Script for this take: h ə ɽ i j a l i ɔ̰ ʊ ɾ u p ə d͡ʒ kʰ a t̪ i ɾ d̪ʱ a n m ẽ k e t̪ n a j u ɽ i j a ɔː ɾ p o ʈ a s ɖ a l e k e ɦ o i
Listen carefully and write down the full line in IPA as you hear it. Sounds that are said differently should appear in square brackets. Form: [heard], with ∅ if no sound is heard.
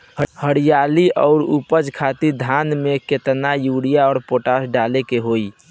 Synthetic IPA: h ə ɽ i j a l i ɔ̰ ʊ ɾ u p ə d͡ʒ kʰ a t̪ i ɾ d̪ʱ a n m [e] k e t̪ n a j u ɽ i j a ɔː ɾ p o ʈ a s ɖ a l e k e ɦ o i